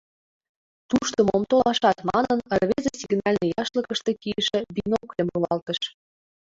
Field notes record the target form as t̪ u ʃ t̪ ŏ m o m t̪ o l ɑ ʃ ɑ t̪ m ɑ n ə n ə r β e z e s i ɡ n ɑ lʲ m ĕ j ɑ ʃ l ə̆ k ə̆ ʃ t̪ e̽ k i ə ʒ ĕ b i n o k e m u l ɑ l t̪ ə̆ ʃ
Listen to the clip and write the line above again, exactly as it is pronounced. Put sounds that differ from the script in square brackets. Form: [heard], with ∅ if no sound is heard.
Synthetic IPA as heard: t̪ u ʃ t̪ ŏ m o m t̪ o l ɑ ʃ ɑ t̪ m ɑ n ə n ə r β e z e s i ɡ n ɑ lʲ [n] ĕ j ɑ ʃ l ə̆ k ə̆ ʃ t̪ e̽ k i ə [ʃ] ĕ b i n o k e m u l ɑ l t̪ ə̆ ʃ